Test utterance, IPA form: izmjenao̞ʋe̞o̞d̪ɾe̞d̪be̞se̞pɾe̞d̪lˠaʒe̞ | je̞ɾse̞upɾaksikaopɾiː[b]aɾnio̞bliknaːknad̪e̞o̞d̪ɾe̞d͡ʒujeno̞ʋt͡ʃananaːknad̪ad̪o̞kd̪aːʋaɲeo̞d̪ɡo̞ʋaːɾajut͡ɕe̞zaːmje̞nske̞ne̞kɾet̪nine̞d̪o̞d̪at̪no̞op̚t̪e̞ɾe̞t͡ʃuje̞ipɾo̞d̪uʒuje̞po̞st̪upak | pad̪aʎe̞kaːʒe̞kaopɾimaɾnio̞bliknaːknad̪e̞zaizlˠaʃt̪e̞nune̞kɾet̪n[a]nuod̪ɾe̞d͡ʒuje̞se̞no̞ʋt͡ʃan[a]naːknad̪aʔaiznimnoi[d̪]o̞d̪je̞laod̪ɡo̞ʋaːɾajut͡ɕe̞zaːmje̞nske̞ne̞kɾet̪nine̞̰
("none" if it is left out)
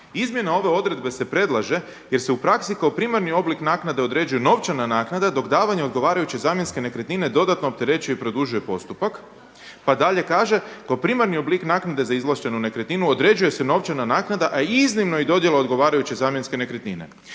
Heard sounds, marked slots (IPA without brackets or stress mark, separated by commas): m, i, a, d̪